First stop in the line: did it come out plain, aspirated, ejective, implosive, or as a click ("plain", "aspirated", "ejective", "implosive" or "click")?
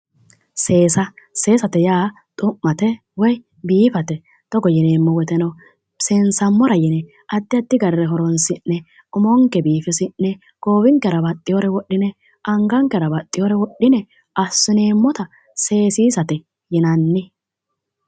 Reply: plain